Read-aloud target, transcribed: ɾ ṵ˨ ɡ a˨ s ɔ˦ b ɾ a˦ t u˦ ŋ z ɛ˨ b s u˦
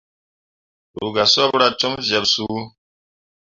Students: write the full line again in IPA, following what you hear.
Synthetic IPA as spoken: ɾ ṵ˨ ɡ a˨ s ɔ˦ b ɾ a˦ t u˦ m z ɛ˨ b s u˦